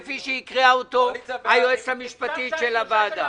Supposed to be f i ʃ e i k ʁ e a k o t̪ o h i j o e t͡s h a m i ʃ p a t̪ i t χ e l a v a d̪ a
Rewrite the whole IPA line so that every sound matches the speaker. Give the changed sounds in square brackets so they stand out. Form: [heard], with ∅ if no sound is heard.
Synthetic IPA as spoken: f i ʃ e i k ʁ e a [∅] o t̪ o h [a] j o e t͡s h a m i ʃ p a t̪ i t [ʃ] e l a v a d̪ a